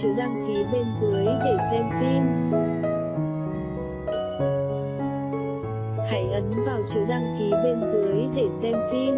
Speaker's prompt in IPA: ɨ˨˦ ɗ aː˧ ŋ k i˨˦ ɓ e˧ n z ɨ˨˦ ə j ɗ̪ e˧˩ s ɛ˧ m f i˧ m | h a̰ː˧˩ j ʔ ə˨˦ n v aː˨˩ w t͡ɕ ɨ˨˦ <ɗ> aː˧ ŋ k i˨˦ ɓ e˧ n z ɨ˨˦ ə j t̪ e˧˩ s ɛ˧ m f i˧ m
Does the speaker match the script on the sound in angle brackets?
yes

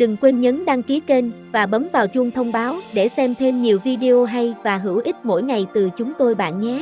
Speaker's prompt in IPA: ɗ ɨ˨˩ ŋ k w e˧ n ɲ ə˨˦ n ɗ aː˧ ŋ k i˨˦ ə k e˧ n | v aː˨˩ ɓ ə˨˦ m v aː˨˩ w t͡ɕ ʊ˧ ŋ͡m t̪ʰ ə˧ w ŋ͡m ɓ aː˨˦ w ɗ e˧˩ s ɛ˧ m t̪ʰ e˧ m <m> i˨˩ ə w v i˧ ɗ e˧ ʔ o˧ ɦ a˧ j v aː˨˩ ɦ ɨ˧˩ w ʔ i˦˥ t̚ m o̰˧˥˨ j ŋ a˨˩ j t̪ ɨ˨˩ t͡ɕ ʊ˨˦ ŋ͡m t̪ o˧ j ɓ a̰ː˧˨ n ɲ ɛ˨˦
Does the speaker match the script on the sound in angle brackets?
no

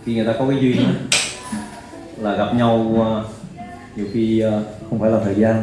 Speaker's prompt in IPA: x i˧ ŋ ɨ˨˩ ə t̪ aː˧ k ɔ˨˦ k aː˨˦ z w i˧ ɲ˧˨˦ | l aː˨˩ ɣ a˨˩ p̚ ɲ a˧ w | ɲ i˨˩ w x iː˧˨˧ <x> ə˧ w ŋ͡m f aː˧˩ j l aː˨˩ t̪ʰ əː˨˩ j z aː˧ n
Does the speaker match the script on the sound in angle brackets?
yes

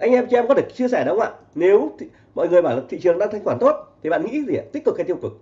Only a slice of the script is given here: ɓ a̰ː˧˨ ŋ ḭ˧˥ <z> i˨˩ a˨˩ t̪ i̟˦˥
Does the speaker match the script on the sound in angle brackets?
yes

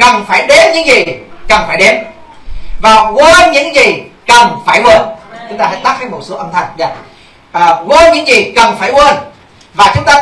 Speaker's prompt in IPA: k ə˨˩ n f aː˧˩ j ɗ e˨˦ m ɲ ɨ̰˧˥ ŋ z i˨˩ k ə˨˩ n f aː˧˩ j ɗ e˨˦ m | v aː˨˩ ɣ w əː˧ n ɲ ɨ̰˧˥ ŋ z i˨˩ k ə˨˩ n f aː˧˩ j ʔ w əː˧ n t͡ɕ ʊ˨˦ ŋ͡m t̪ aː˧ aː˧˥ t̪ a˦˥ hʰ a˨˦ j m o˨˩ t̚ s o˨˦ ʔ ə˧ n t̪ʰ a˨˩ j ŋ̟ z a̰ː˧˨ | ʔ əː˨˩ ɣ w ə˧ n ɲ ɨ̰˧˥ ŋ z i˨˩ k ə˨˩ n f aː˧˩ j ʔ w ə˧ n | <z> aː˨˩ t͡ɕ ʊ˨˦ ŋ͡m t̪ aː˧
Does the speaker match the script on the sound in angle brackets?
no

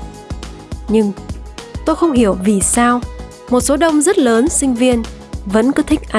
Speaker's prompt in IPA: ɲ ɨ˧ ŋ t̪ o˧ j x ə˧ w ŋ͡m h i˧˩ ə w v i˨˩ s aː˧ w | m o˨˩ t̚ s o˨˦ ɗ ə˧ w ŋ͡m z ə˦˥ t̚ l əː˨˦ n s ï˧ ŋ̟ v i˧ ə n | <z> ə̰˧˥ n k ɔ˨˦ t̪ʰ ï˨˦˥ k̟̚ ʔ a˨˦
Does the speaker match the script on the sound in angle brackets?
no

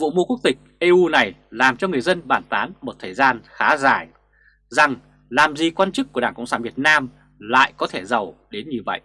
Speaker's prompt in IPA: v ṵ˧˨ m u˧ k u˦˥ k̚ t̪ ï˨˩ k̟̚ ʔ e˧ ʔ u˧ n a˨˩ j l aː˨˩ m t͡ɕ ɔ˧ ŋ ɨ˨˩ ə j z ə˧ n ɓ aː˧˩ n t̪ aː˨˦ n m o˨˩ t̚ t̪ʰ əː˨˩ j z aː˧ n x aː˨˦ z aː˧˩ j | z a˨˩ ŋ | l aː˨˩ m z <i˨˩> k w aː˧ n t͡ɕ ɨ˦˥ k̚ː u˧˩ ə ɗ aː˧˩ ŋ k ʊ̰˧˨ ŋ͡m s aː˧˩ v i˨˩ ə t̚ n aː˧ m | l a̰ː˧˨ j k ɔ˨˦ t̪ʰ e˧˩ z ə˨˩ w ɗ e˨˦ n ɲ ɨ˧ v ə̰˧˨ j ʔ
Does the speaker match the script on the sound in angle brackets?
yes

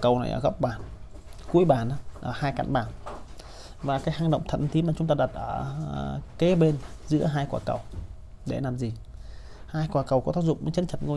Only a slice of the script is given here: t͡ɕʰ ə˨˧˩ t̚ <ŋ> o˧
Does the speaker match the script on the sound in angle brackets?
yes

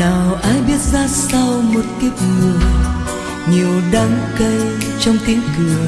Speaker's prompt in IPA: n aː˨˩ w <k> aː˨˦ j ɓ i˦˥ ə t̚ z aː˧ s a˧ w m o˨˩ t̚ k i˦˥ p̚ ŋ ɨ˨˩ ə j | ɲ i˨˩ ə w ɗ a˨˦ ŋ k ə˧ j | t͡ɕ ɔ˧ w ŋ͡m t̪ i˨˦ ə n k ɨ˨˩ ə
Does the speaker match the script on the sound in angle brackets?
no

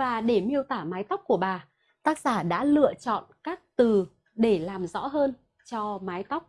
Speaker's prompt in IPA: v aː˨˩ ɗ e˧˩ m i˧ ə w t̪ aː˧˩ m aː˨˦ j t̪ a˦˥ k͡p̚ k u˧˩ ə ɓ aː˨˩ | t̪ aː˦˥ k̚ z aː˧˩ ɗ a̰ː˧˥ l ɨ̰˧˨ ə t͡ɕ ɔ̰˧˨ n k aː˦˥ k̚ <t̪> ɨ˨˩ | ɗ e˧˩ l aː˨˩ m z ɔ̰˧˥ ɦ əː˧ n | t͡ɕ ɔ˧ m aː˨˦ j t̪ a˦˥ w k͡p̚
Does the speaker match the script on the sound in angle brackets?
yes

